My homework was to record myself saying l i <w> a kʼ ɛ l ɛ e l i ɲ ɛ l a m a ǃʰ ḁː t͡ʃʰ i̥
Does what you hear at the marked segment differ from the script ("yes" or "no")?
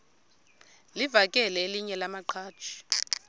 yes